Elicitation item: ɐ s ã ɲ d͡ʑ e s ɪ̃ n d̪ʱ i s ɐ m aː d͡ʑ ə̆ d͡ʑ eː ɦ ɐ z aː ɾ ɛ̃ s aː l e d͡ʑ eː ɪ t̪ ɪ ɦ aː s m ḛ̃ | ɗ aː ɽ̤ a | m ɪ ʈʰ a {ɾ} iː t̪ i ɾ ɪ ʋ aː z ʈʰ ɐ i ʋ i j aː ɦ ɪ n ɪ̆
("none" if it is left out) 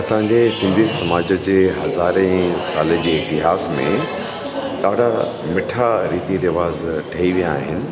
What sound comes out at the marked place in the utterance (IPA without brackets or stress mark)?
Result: ɾ